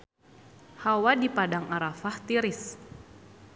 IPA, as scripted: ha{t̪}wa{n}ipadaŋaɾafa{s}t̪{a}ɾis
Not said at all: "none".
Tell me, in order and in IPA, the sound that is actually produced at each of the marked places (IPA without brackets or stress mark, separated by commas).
none, d, h, i